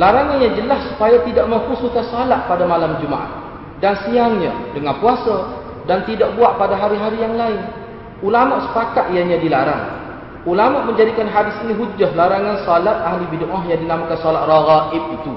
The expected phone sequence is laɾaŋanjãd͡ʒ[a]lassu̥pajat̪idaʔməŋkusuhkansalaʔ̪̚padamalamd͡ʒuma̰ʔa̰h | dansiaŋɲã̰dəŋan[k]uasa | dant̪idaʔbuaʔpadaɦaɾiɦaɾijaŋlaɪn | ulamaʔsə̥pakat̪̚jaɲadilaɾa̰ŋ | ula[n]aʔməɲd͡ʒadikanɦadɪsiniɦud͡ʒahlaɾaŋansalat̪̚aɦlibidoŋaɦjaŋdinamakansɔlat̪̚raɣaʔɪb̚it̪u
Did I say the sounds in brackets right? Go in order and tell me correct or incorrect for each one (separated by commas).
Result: incorrect, incorrect, incorrect